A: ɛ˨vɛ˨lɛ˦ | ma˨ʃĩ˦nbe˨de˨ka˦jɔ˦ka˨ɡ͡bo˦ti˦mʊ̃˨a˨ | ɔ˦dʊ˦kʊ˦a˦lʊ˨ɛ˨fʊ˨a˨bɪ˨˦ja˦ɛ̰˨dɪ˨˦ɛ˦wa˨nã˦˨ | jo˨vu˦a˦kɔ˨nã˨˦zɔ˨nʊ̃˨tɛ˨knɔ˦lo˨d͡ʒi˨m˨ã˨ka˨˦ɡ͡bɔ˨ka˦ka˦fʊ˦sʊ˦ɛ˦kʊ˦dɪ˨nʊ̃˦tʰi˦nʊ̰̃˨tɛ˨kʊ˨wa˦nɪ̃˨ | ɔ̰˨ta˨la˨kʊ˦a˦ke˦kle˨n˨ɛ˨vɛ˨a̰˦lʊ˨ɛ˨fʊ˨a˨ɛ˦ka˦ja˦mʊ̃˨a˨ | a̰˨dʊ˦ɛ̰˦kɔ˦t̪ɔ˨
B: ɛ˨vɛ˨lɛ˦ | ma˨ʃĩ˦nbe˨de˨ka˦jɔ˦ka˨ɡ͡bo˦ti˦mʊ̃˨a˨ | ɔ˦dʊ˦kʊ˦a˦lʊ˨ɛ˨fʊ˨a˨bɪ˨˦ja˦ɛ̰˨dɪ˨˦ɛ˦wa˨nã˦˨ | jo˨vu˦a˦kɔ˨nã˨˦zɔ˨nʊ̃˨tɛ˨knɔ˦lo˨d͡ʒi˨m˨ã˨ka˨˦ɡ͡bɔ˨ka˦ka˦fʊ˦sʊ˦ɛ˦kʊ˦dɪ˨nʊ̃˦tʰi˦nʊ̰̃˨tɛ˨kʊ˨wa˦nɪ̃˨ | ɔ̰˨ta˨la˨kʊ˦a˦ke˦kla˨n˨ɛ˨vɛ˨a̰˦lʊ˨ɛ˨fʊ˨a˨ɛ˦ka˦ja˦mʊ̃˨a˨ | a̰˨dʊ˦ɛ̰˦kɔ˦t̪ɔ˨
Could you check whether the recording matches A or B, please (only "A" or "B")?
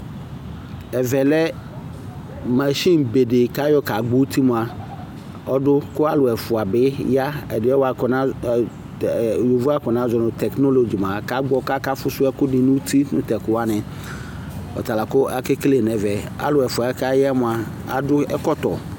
A